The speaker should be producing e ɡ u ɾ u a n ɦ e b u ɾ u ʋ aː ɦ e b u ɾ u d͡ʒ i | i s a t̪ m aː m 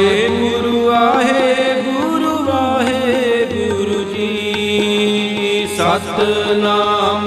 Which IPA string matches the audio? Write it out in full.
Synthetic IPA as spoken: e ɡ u ɾ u a ɦ e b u ɾ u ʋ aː ɦ e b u ɾ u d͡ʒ i | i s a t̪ n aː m